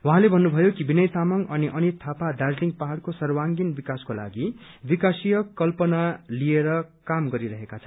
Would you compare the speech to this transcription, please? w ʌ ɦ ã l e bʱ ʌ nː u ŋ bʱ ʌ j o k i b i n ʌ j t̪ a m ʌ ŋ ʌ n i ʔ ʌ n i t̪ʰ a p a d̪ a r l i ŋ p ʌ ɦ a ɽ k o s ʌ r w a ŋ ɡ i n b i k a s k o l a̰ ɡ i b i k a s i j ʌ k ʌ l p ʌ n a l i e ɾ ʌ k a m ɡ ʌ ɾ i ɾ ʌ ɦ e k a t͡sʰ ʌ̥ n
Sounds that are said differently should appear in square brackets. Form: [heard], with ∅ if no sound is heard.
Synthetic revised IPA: w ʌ ɦ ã l e bʱ ʌ nː u [∅] bʱ ʌ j o k i b i n ʌ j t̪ a m ʌ ŋ ʌ n i ʔ ʌ n i t̪ʰ a p a d̪ a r l i ŋ p [a] ɦ a ɽ k o s ʌ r w a ŋ ɡ i n b i k a s k o l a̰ ɡ i b i k a s i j ʌ k ʌ l p ʌ n a l i e ɾ ʌ k a m ɡ ʌ ɾ i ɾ ʌ ɦ e k a t͡sʰ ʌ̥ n

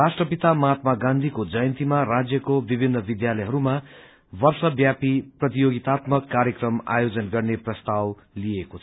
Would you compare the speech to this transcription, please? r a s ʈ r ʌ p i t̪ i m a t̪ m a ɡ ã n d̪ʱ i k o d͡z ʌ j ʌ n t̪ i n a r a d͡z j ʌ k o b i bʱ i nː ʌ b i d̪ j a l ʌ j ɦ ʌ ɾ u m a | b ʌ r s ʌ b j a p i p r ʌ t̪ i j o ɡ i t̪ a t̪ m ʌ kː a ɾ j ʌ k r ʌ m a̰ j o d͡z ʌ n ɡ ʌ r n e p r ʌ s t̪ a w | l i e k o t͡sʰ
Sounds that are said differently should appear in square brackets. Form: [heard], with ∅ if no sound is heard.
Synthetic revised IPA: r a s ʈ r ʌ p i t̪ [a] m a t̪ m a ɡ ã n d̪ʱ i k o d͡z ʌ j ʌ n t̪ i [m] a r a d͡z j ʌ k o b i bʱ i nː ʌ b i d̪ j a l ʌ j ɦ ʌ ɾ u m a | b ʌ r s ʌ b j a p i p r ʌ t̪ i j o ɡ i t̪ a t̪ m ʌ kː a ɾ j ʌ k r ʌ m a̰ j o d͡z ʌ n ɡ ʌ r n e p r ʌ s t̪ a w | l i e k o t͡sʰ

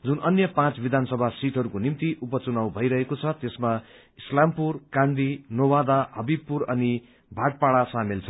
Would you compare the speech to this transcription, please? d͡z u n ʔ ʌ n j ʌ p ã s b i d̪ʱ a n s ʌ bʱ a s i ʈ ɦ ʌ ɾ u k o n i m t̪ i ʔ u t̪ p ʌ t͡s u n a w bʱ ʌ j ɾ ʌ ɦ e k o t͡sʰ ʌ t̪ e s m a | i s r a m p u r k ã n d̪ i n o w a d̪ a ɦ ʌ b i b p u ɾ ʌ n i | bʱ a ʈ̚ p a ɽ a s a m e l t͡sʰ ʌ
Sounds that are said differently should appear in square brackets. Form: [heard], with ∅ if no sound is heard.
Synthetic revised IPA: d͡z u n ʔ ʌ n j ʌ p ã [t͡s] b i d̪ʱ a n s ʌ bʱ a s i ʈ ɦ ʌ ɾ u k o n i m t̪ i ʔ u [∅] p ʌ t͡s u n a w bʱ ʌ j ɾ ʌ ɦ e k o t͡sʰ ʌ t̪ e s m a | i s [l] a m p u r k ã n d̪ i n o w a d̪ a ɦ ʌ b i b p u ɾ ʌ n i | bʱ a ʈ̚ p a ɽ a s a m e l t͡sʰ ʌ

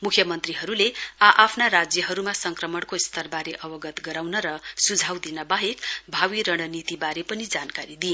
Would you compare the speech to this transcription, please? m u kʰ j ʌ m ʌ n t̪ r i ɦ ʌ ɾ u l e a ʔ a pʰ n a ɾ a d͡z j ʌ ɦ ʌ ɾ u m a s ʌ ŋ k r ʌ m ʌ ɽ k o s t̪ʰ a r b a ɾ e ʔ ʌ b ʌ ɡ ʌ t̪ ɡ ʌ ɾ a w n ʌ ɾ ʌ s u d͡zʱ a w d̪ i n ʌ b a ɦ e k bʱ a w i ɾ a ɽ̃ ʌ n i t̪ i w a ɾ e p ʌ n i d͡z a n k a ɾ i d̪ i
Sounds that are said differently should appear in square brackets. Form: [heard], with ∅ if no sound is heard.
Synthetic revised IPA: m u kʰ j ʌ m ʌ n t̪ r i ɦ ʌ ɾ u l e a ʔ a pʰ n a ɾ a d͡z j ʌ ɦ ʌ ɾ u m a s ʌ ŋ k r ʌ m ʌ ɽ k o s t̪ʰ [ʌ] r b a ɾ e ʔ ʌ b ʌ ɡ ʌ t̪ ɡ ʌ ɾ a w n ʌ ɾ ʌ s u d͡zʱ a w d̪ i n ʌ b a ɦ e k bʱ a w i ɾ [ʌ] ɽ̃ ʌ n i t̪ i [b] a ɾ e p ʌ n i d͡z a n k a ɾ i d̪ i

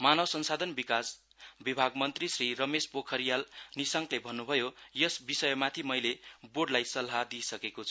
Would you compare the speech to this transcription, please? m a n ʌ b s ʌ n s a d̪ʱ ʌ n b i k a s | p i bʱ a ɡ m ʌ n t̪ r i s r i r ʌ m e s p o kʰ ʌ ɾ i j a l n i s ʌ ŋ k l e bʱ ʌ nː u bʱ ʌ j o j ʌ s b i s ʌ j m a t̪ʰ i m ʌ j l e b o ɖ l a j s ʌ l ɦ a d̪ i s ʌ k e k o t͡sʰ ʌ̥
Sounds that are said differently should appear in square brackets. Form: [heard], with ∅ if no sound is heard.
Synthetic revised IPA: m a n ʌ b s ʌ n s a d̪ʱ ʌ n b i k a s | [b] i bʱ a ɡ m ʌ n t̪ r i s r i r ʌ m e s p o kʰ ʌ ɾ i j a l n i s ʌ ŋ k l e bʱ ʌ nː u bʱ ʌ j o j ʌ s b i s ʌ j m a t̪ʰ i m ʌ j l e b o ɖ l a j s ʌ l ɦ a d̪ i s ʌ k e k o t͡sʰ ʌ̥

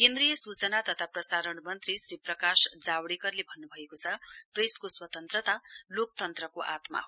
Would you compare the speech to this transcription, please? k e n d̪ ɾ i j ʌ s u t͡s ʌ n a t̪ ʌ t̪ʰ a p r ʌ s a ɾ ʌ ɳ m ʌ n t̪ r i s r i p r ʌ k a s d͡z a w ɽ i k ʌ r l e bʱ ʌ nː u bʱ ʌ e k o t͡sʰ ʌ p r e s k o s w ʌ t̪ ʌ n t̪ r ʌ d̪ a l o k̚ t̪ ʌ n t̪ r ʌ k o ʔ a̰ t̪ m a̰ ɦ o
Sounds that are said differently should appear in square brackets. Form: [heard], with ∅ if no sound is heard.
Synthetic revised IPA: k e n d̪ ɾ i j ʌ s u t͡s ʌ n a t̪ ʌ t̪ʰ a p r ʌ s a ɾ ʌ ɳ m ʌ n t̪ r i s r i p r ʌ k a s d͡z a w ɽ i k ʌ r l e bʱ ʌ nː u bʱ ʌ e k o t͡sʰ ʌ p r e s k o s w ʌ t̪ ʌ n t̪ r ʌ [t̪] a l o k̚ t̪ ʌ n t̪ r ʌ k o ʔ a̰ t̪ m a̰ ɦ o

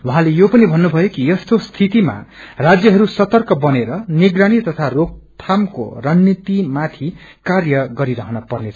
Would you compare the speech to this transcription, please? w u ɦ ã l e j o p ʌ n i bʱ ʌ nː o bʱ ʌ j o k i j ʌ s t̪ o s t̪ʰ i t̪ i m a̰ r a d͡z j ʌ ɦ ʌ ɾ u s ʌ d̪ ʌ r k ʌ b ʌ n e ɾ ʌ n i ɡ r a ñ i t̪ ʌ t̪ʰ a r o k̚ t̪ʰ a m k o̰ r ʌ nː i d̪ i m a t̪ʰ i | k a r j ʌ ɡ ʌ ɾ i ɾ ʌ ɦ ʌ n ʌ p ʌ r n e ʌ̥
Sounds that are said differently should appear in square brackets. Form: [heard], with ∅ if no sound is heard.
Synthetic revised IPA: w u ɦ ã l e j o p ʌ n i bʱ ʌ nː [u] bʱ ʌ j o k i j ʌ s t̪ o s t̪ʰ i t̪ i m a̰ r a d͡z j ʌ ɦ ʌ ɾ u s ʌ [t̪] ʌ r k ʌ b ʌ n e ɾ ʌ n i ɡ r a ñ i t̪ ʌ t̪ʰ a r o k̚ t̪ʰ a m k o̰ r ʌ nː i [t̪] i m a t̪ʰ i | k a r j ʌ ɡ ʌ ɾ i ɾ ʌ ɦ ʌ n ʌ p ʌ r n e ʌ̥

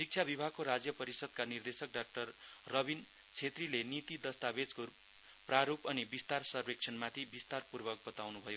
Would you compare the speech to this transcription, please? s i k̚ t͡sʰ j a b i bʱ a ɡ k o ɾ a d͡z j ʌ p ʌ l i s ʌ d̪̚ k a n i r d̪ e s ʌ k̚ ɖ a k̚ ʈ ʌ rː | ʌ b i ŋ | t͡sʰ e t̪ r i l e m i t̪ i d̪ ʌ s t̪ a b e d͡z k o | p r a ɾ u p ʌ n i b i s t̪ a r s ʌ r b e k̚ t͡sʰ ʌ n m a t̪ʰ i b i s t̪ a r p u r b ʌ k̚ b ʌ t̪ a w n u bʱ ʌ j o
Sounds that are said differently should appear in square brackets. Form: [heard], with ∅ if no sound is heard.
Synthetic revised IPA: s i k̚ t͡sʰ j a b i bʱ a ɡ k o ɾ a d͡z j ʌ p ʌ [ɾ] i s ʌ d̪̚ k a n i r d̪ e s ʌ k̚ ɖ a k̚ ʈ ʌ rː | ʌ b i [n] | t͡sʰ e t̪ r i l e [n] i t̪ i d̪ ʌ s t̪ a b e d͡z k o | p r a ɾ u p ʌ n i b i s t̪ a r s ʌ r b e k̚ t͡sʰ ʌ n m a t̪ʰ i b i s t̪ a r p u r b ʌ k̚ b ʌ t̪ a w n u bʱ ʌ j o

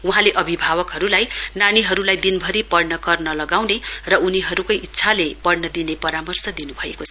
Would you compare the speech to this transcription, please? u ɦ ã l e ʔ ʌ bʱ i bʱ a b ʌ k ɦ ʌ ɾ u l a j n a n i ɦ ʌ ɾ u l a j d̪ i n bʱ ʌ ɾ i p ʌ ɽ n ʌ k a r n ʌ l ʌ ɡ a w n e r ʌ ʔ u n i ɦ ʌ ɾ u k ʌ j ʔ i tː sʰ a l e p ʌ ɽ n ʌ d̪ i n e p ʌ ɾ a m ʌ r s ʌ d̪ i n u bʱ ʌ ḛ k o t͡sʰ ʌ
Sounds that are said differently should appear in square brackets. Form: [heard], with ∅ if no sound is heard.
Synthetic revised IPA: u ɦ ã l e ʔ ʌ bʱ i bʱ a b ʌ k ɦ ʌ ɾ u l a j n a n i ɦ ʌ ɾ u l a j d̪ i n bʱ ʌ ɾ i p ʌ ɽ n ʌ k [ʌ] r n ʌ l ʌ ɡ a w n e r ʌ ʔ u n i ɦ ʌ ɾ u k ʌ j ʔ i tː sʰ a l e p ʌ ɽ n ʌ d̪ i n e p ʌ ɾ a m ʌ r s ʌ d̪ i n u bʱ ʌ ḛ k o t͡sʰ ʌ

